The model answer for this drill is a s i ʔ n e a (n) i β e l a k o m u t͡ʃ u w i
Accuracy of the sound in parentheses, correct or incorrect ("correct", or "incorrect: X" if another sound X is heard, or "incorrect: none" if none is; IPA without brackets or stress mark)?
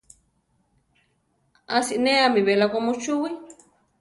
incorrect: m